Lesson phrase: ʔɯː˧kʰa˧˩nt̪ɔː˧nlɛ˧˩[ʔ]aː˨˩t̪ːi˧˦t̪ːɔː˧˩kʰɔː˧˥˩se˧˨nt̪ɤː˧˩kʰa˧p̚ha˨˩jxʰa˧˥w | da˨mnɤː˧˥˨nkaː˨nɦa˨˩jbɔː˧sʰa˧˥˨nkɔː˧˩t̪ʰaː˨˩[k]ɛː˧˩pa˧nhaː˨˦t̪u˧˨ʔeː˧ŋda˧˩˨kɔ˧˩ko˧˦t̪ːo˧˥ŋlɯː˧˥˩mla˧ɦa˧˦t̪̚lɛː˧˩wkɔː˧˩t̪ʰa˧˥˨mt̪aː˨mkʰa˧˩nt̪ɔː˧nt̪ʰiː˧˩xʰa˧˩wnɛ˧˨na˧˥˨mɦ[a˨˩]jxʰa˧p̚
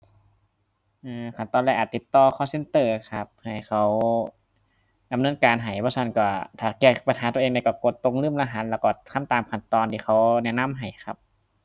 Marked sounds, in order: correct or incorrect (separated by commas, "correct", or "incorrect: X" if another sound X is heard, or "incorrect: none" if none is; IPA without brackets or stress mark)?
correct, correct, correct